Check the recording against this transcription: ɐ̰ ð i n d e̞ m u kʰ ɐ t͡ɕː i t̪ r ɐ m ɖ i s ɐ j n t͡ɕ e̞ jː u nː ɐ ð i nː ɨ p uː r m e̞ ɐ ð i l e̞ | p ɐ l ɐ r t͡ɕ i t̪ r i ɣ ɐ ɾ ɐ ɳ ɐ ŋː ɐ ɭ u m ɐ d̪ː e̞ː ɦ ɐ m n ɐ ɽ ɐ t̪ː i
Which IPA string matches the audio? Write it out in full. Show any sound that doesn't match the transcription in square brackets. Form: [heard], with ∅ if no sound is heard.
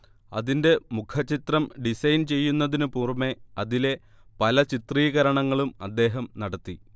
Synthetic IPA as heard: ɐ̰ ð i n d e̞ m u kʰ ɐ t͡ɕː i t̪ r ɐ m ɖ i s ɐ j n t͡ɕ e̞ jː u nː ɐ ð i [n] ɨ p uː r m e̞ ɐ ð i l e̞ | p ɐ l ɐ [∅] t͡ɕ i t̪ r [iː] ɣ ɐ ɾ ɐ ɳ ɐ ŋː ɐ ɭ u m ɐ d̪ː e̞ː ɦ ɐ m n ɐ ɽ ɐ t̪ː i